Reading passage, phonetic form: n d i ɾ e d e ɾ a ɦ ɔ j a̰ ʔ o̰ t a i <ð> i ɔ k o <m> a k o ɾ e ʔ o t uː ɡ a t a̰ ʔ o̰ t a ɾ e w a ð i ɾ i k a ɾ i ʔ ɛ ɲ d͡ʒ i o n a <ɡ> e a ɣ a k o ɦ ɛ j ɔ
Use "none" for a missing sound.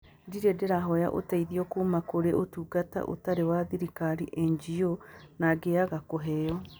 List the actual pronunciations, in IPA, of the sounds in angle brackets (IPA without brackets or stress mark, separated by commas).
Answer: ð, m, ɡ